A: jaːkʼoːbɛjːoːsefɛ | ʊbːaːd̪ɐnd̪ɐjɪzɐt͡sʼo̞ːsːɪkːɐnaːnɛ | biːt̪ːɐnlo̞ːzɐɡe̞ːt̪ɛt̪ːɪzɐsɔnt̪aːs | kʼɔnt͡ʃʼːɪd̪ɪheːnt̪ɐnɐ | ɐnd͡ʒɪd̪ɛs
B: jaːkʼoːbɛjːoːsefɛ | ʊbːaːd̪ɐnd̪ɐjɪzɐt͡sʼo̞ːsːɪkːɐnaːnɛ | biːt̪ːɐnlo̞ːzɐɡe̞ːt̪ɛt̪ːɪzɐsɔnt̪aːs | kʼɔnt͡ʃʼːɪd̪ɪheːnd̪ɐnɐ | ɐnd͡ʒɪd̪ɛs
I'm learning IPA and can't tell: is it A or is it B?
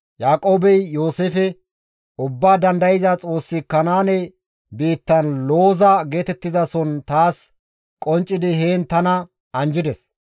A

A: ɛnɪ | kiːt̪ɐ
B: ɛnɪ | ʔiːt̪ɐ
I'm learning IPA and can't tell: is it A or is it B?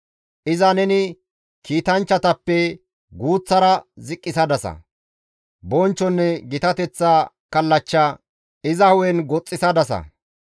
A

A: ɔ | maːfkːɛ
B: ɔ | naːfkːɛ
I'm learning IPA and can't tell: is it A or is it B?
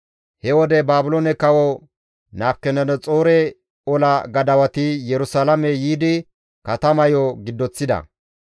B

